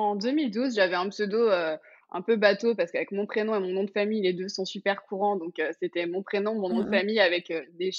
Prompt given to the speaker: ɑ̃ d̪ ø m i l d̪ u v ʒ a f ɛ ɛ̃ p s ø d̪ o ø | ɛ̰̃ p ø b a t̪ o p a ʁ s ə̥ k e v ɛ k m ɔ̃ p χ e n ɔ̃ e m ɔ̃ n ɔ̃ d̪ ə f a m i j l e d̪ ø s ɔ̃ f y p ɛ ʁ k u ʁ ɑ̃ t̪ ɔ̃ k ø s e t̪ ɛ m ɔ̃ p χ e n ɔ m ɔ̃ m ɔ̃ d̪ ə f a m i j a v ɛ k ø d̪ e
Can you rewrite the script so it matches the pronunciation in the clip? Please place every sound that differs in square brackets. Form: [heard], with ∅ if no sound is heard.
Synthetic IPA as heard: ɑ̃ d̪ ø m i l d̪ u [z] ʒ a [v] ɛ ɛ̃ p s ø d̪ o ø | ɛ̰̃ p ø b a t̪ o p a ʁ s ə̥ k [a] v ɛ k m ɔ̃ p χ e n ɔ̃ e m ɔ̃ n ɔ̃ d̪ ə f a m i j l e d̪ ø s ɔ̃ [s] y p ɛ ʁ k u ʁ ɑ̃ [d̪] ɔ̃ k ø s e t̪ ɛ m ɔ̃ p χ e n [ɔ̃] m ɔ̃ [n] ɔ̃ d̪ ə f a m i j a v ɛ k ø d̪ e